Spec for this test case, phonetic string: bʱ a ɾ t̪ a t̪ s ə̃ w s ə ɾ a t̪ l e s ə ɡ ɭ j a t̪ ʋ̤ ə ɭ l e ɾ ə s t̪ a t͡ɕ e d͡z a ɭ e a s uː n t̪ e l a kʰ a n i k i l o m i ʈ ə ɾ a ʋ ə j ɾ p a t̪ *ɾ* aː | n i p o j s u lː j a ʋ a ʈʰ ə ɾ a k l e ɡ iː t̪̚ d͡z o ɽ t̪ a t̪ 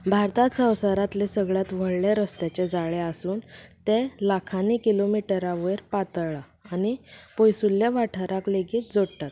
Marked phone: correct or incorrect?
incorrect